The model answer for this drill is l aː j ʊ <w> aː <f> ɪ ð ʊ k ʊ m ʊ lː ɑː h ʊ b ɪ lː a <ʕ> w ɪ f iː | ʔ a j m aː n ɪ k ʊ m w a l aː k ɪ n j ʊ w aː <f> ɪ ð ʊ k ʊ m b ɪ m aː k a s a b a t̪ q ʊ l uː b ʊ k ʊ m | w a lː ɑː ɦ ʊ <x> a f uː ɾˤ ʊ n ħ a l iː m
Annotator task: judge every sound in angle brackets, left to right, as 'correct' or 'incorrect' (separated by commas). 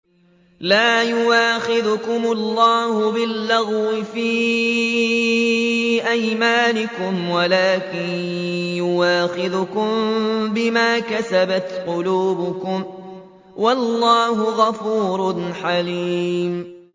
correct, incorrect, incorrect, incorrect, incorrect